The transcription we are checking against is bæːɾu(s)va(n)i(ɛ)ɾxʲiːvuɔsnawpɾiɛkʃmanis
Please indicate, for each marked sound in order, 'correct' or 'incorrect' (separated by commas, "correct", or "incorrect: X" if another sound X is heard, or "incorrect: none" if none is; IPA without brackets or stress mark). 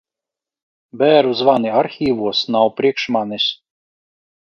incorrect: z, correct, incorrect: a